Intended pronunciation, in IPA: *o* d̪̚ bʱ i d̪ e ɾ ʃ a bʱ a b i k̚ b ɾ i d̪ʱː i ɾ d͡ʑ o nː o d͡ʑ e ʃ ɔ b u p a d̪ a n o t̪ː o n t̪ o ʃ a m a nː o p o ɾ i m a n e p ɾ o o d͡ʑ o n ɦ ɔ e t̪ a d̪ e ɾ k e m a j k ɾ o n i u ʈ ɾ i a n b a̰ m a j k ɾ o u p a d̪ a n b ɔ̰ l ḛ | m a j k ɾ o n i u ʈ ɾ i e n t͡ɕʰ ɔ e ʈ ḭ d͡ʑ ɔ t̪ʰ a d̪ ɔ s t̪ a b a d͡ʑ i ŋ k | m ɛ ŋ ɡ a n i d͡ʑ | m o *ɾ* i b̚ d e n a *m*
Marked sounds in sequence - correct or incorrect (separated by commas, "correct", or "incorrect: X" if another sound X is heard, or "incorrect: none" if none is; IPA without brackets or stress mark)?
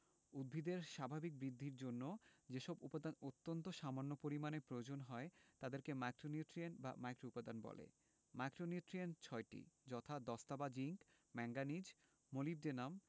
incorrect: u, incorrect: l, correct